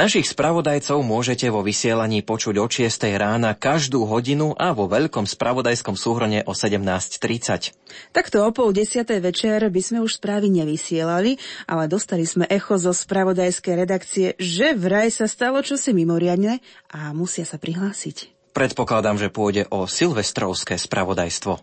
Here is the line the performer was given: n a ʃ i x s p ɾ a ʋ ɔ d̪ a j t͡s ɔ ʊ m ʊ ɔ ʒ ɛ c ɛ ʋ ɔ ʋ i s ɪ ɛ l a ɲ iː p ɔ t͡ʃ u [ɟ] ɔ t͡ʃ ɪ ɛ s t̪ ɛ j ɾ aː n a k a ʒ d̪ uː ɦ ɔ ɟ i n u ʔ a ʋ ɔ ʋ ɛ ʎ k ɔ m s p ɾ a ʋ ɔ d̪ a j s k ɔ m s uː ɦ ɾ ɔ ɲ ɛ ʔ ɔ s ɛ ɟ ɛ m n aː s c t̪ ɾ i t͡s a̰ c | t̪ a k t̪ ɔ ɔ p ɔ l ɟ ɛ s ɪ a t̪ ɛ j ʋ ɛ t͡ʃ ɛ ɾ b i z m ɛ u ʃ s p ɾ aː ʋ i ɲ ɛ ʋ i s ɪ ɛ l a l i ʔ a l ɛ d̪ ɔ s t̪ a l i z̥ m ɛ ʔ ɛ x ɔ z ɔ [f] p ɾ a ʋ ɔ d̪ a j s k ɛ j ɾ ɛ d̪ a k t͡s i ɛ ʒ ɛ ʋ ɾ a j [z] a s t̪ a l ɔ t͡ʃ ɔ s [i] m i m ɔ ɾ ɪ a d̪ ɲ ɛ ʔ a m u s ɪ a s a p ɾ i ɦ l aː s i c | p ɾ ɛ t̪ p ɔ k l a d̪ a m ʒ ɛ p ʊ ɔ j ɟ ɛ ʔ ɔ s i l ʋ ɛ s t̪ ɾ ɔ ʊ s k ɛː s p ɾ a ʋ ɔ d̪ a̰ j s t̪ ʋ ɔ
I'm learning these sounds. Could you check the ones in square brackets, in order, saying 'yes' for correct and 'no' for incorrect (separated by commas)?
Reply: yes, no, no, yes